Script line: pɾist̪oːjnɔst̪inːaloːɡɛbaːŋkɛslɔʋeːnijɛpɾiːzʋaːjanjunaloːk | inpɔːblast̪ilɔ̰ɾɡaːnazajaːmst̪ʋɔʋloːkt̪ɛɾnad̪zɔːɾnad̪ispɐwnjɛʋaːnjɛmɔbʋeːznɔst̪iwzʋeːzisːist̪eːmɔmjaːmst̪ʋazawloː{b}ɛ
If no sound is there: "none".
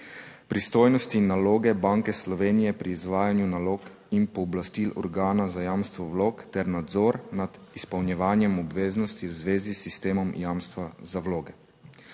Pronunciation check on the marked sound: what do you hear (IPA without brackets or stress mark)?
ɡ